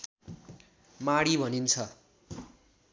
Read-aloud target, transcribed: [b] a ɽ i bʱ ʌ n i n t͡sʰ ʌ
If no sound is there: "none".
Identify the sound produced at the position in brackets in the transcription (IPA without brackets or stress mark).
m